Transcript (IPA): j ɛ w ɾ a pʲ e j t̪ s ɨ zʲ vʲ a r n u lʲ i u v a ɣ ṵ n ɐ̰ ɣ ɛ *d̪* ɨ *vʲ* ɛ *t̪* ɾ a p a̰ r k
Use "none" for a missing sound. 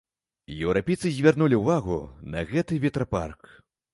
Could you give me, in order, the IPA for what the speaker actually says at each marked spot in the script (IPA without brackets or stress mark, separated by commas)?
t̪, vʲ, t̪